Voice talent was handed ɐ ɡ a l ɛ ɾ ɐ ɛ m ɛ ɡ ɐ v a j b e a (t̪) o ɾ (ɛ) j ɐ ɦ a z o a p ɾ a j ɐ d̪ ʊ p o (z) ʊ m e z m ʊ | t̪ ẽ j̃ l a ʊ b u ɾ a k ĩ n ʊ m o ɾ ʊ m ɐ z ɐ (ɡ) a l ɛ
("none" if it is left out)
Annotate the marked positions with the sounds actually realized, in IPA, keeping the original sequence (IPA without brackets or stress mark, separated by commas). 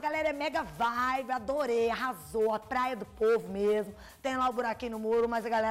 d̪, e, v, ɡ